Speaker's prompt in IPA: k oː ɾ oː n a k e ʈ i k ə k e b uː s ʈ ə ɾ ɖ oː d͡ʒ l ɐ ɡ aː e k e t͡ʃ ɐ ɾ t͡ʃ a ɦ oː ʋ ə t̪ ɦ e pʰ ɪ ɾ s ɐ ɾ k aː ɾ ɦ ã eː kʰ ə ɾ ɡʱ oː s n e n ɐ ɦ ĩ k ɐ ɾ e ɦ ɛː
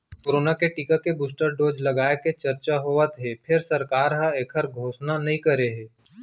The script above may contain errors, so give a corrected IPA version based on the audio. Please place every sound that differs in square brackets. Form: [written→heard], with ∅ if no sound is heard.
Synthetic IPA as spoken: k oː ɾ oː n a k e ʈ i k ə k e b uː s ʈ ə ɾ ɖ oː d͡ʒ l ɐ ɡ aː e k e t͡ʃ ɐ ɾ t͡ʃ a ɦ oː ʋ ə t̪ ɦ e pʰ ɪ ɾ s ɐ ɾ k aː ɾ ɦ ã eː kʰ ə ɾ ɡʱ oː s n [e→a] n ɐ ɦ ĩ k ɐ ɾ e ɦ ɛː